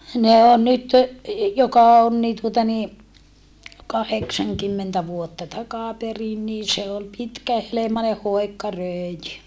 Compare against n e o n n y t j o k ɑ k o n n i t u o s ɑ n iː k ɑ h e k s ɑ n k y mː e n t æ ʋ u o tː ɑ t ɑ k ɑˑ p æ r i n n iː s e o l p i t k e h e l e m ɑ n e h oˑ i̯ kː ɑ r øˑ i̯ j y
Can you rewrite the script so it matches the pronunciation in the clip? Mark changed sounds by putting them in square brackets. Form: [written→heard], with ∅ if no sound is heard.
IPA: n e o n n y t j o k ɑ [k→∅] o n n [i→iː] t u o [s→t] ɑ n iː k ɑ h e k s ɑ [n→ŋ] k y mː e n t æ ʋ u o tː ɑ t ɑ k ɑˑ p [æ→e] r i n n iː s e o l p i t k [e→æ] h e l e m ɑ n e h oˑ i̯ kː ɑ r øˑ i̯ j y